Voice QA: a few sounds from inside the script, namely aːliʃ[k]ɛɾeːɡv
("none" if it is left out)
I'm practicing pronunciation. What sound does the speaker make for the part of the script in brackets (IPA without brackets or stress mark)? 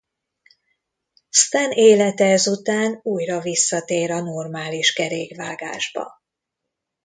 k